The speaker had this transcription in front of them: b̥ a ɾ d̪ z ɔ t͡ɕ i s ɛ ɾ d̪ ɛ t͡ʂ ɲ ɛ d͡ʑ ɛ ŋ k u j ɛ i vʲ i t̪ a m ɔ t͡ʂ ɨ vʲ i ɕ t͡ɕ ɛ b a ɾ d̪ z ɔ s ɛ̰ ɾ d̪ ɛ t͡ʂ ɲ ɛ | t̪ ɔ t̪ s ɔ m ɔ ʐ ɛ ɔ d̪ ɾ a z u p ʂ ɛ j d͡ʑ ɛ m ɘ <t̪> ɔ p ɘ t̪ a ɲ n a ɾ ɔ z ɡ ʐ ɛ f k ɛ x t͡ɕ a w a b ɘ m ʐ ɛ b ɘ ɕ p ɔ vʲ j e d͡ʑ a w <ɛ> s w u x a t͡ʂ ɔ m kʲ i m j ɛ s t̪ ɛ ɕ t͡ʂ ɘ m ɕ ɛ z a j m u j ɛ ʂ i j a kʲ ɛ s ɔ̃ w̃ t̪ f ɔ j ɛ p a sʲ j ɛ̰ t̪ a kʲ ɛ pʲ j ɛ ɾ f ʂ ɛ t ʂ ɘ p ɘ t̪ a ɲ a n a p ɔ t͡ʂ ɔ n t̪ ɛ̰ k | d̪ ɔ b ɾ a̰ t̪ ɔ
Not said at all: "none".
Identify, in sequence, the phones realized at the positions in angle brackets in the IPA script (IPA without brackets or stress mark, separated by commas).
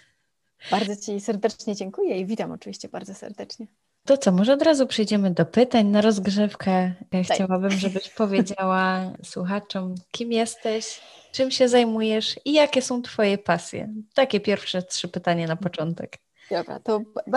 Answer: d̪, a